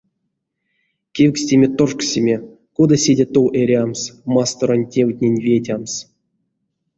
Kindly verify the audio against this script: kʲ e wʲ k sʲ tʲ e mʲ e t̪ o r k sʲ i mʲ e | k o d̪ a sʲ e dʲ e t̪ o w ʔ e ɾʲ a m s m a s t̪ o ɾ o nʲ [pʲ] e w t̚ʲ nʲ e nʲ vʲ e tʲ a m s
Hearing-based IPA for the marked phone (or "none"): tʲ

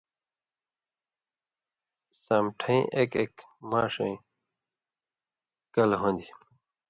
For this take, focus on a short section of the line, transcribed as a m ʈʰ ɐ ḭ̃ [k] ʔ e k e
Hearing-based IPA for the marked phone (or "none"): none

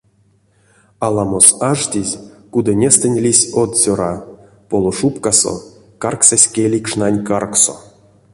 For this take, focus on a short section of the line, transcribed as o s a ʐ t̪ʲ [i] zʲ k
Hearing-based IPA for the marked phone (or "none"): i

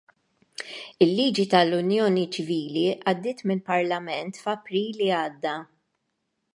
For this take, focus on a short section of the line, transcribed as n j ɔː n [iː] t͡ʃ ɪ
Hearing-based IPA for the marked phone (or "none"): i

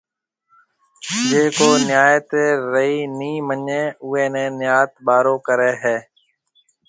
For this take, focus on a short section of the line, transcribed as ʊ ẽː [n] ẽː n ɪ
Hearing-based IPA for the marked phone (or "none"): n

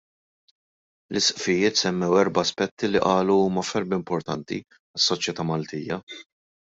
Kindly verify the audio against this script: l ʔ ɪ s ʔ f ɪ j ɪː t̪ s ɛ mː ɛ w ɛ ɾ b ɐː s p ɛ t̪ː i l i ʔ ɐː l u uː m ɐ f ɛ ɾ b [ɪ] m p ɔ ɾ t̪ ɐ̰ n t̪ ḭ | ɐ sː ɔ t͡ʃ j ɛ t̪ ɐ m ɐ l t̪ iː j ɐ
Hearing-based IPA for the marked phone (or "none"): ɪ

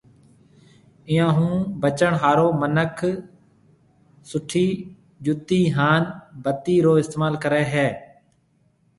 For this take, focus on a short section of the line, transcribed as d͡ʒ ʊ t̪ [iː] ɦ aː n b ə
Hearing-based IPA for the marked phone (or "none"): iː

